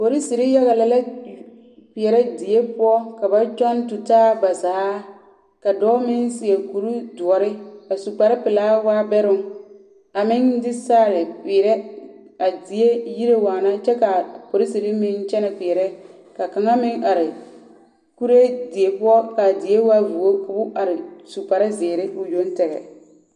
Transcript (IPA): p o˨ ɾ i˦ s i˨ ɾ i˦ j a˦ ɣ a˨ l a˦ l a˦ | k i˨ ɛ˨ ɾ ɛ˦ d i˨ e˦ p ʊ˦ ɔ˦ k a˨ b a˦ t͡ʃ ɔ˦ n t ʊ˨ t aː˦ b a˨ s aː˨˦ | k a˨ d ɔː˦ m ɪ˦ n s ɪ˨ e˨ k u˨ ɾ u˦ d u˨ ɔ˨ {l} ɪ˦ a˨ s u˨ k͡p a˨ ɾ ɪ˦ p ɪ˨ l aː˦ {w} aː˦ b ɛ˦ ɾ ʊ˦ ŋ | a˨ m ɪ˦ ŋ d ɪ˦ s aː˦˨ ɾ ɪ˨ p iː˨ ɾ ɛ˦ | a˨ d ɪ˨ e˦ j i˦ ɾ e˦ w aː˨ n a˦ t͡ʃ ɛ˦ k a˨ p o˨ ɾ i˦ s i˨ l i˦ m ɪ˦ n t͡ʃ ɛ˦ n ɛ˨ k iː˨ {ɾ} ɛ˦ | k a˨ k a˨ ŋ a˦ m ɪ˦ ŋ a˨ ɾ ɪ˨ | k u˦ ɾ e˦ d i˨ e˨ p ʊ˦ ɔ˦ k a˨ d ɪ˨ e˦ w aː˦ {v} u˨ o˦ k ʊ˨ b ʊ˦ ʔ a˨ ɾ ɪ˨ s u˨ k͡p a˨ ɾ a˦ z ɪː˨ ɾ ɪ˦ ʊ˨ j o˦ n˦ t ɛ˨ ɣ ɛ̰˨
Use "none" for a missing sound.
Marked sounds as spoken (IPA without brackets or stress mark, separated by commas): ɾ, w, ɾ, v